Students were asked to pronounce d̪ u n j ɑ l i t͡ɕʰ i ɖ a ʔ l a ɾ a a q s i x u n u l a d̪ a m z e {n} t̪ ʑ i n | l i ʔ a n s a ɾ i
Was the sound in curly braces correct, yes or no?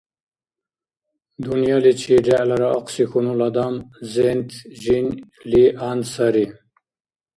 yes